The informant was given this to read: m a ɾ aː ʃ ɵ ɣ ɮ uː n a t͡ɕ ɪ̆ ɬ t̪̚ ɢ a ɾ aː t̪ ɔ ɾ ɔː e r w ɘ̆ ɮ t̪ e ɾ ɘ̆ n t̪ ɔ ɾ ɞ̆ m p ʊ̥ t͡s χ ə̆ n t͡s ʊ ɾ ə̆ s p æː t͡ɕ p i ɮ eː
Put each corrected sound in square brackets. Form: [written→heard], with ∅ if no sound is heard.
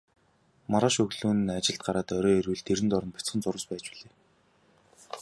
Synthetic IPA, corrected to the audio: m a ɾ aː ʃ ɵ ɣ ɮ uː n a t͡ɕ ɪ̆ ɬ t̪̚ ɢ a ɾ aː t̪ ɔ ɾ ɔː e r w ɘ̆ ɮ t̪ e ɾ ɘ̆ n t̪ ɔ ɾ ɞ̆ [m→n] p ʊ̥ t͡s χ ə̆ n t͡s ʊ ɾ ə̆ s p æː t͡ɕ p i ɮ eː